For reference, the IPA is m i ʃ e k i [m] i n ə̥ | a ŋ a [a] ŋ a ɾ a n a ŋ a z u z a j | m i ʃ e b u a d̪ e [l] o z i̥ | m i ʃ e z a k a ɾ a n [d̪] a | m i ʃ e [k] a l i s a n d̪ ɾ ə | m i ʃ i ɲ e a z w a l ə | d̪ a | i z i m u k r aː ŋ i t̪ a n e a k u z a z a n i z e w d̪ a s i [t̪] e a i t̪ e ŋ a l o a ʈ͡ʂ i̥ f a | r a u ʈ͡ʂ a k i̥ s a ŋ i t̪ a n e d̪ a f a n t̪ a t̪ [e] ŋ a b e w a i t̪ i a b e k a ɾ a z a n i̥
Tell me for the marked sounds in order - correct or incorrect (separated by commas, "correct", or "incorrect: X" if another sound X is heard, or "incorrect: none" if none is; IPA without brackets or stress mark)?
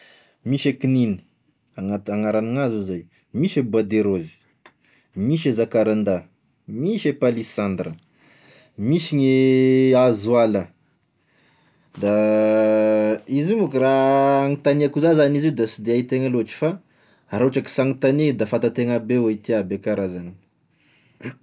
incorrect: n, correct, incorrect: ɾ, correct, incorrect: p, incorrect: d̪, correct